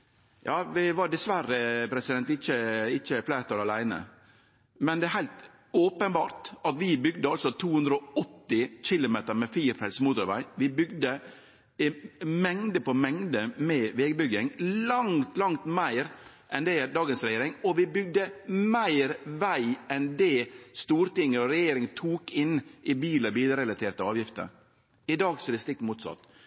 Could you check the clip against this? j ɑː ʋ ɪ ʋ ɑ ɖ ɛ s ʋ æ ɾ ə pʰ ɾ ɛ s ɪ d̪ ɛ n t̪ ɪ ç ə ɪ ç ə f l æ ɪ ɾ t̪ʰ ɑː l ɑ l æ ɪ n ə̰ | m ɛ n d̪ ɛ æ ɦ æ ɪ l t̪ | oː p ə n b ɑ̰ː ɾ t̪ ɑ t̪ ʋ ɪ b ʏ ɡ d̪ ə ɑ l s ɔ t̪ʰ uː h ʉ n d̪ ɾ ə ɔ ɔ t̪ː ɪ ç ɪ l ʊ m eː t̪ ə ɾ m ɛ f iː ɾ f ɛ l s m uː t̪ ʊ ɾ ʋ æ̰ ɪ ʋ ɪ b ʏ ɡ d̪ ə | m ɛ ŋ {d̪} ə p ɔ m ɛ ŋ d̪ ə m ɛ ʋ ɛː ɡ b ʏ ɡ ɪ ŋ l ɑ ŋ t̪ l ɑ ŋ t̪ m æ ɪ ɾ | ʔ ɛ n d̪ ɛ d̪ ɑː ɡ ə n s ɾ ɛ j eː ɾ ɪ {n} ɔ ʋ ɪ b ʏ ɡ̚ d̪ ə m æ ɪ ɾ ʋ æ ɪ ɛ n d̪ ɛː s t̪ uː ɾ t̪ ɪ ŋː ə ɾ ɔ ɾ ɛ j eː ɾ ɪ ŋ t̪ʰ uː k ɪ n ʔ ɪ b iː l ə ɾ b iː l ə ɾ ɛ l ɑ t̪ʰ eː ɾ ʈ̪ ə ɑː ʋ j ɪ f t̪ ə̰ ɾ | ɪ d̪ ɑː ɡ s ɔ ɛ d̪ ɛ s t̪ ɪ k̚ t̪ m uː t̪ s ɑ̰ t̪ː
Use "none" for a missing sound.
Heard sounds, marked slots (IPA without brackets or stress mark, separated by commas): d̪, ŋ